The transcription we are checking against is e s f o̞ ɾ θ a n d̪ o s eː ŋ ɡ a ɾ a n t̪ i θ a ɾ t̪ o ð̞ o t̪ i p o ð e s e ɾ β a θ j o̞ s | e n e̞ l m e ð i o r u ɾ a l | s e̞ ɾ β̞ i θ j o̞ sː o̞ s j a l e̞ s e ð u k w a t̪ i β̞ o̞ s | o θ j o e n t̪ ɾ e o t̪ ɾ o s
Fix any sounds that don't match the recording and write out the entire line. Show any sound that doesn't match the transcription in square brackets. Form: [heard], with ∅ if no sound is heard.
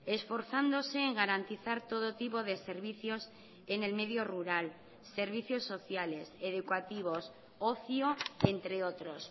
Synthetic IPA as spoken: e s f o̞ ɾ θ a n d̪ o s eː ŋ ɡ a ɾ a n t̪ i θ a ɾ t̪ o ð̞ o t̪ i p o ð e s e ɾ β [i] θ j o̞ s | e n e̞ l m e ð [j] o r u ɾ a l | s e̞ ɾ β̞ i θ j o̞ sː o̞ [θ] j a l e̞ s e ð u k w a t̪ i β̞ o̞ s | o θ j o e n t̪ ɾ e o t̪ ɾ o s